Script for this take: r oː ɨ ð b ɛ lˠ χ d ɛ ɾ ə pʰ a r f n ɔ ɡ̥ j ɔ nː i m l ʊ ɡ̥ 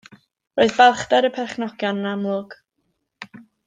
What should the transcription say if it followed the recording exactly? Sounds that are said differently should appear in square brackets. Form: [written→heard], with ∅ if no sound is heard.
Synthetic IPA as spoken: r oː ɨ ð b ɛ lˠ χ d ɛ ɾ ə pʰ [a→ɛ] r [f→χ] n ɔ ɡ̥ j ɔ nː [i→a] m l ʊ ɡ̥